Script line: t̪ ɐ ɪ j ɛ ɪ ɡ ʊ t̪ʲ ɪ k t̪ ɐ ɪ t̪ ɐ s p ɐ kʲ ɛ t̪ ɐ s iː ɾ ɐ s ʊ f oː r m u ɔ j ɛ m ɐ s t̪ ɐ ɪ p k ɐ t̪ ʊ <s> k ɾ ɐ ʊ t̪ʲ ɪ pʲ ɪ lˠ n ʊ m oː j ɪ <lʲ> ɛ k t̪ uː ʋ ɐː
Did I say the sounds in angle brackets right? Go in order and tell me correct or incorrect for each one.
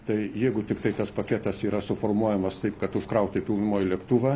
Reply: incorrect: ʃ, correct

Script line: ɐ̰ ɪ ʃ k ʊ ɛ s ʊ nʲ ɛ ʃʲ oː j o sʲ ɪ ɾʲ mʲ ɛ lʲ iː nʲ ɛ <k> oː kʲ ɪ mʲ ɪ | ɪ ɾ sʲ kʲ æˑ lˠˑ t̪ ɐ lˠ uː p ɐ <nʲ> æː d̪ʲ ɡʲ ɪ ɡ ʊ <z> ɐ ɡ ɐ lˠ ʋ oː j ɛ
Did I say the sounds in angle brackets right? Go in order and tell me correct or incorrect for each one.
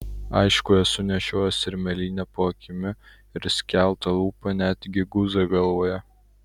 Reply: incorrect: p, correct, correct

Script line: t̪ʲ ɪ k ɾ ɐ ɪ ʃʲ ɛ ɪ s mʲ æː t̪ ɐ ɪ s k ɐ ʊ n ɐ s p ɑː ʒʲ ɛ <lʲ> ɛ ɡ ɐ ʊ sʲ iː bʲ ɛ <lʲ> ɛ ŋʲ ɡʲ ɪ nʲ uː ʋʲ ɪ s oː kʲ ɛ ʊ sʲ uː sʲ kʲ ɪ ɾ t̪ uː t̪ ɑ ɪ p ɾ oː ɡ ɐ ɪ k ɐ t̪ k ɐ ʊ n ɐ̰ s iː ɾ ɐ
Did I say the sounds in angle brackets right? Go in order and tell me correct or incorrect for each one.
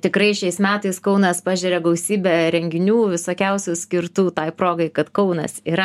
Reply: incorrect: ɾʲ, incorrect: ɾʲ

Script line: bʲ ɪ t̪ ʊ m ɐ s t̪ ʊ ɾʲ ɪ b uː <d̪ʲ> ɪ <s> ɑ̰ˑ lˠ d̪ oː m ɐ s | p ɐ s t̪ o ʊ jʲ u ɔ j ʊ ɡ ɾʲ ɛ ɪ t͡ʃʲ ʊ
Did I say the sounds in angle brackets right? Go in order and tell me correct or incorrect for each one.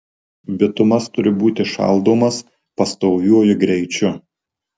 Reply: incorrect: t̪ʲ, incorrect: ʃ

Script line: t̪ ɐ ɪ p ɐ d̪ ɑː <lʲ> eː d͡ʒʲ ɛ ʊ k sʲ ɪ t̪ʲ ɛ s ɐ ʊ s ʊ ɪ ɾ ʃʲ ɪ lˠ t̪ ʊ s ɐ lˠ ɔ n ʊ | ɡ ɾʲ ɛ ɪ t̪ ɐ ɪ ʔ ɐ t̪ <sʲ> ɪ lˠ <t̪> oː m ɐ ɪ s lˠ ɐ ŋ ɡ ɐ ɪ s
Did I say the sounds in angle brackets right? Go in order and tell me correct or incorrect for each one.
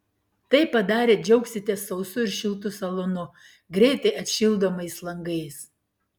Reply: incorrect: ɾʲ, incorrect: ʃʲ, incorrect: d̪

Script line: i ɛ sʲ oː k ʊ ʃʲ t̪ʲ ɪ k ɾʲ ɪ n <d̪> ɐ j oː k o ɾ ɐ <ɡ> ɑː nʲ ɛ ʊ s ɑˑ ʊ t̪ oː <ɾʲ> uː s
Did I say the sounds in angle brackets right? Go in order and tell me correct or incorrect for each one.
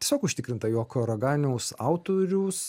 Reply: incorrect: t̪, correct, correct

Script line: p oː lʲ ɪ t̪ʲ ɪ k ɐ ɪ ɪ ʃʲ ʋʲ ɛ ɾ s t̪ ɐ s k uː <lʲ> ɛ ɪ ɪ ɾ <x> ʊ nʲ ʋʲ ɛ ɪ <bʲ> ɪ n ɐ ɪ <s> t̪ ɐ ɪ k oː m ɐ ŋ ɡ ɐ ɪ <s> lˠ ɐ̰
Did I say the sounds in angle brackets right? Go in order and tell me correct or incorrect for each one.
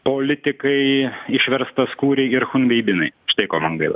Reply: incorrect: ɾʲ, correct, correct, incorrect: ʃ, incorrect: none

